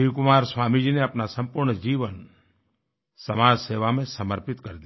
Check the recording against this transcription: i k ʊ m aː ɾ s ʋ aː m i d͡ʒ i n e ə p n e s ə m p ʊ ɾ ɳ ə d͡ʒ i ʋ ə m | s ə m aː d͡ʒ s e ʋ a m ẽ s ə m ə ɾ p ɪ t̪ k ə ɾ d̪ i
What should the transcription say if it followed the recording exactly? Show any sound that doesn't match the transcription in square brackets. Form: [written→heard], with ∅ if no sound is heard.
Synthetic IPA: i k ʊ m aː ɾ s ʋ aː m i d͡ʒ i n e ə p n [e→a] s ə m p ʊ ɾ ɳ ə d͡ʒ i ʋ ə [m→n] | s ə m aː d͡ʒ s e ʋ a m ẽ s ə m ə ɾ p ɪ t̪ k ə ɾ d̪ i